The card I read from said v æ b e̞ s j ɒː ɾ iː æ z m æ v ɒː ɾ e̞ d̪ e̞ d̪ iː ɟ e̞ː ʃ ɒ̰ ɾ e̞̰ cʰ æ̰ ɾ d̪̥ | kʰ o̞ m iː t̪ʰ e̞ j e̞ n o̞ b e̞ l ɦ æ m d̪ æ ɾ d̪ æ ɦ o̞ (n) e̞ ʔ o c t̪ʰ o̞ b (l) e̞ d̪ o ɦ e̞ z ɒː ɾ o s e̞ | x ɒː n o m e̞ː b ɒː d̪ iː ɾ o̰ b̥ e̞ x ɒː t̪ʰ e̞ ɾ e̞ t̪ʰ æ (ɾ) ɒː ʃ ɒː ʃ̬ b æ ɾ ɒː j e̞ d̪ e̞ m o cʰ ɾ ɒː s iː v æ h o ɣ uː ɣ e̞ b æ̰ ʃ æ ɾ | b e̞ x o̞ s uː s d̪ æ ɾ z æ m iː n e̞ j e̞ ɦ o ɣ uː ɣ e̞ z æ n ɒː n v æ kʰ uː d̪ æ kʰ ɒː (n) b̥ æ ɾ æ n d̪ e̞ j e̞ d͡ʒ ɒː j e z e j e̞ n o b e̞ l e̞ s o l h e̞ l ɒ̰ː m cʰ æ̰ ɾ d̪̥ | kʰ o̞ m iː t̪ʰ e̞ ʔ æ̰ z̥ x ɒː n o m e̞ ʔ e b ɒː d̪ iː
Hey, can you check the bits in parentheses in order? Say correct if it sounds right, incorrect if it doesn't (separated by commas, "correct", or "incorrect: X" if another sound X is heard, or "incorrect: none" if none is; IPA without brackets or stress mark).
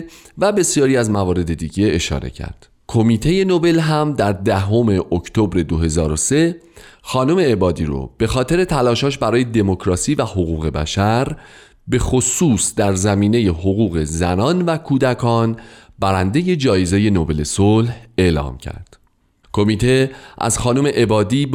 incorrect: m, incorrect: ɾ, incorrect: l, correct